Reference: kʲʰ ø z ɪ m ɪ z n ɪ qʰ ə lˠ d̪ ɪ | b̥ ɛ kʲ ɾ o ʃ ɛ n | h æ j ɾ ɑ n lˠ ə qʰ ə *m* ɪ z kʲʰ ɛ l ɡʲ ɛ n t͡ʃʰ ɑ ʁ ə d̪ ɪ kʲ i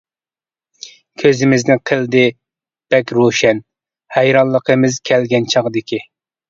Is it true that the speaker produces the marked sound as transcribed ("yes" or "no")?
yes